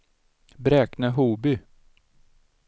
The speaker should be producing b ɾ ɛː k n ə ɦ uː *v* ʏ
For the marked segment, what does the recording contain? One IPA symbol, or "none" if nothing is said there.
b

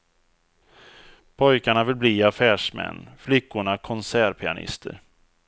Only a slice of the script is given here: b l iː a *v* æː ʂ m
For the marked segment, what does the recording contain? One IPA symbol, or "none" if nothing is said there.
f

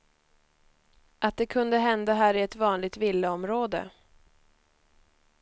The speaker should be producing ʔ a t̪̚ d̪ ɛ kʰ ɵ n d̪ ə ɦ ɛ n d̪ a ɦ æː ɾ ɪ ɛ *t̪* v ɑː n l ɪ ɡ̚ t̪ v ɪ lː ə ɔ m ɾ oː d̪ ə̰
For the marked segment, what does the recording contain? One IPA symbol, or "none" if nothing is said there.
t̪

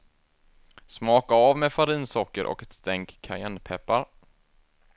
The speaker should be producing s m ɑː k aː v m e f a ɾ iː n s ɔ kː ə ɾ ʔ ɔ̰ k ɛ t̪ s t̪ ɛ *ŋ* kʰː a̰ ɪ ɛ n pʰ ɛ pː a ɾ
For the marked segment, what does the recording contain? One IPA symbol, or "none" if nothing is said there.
ŋ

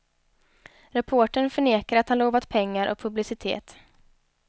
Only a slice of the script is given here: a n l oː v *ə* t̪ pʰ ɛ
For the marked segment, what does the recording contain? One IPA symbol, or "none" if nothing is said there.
a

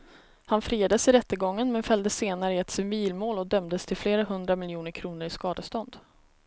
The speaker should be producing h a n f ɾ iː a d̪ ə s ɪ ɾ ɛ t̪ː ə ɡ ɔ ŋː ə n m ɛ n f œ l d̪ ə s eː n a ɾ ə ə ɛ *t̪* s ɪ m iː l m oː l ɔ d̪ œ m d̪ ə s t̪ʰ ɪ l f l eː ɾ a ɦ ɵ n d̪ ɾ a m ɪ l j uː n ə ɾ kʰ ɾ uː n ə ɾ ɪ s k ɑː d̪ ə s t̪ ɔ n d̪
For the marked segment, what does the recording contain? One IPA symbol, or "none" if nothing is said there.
t̪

